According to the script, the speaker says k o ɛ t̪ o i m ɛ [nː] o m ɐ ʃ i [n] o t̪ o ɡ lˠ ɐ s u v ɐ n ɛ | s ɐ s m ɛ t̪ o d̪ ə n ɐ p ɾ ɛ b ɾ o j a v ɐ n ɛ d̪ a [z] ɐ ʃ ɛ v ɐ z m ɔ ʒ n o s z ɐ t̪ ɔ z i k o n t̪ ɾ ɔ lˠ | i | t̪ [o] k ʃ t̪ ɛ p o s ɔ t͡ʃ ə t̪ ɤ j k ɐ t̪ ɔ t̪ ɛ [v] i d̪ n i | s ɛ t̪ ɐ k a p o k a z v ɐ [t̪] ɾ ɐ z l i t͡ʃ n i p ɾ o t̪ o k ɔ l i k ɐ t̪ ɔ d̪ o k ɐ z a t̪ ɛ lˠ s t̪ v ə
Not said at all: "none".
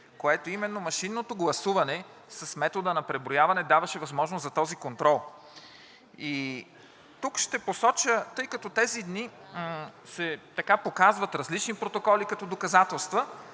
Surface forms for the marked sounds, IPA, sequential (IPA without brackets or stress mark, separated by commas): nː, nː, v, u, z, t̪